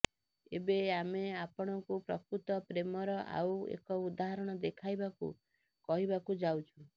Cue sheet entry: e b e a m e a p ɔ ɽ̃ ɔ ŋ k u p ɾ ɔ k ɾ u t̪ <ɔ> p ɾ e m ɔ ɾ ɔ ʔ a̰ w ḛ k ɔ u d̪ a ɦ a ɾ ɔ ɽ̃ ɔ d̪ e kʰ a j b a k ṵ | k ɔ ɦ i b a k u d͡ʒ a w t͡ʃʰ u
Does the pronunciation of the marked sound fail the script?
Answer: no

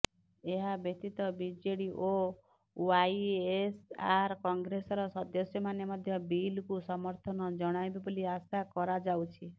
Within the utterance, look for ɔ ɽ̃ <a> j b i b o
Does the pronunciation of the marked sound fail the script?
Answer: no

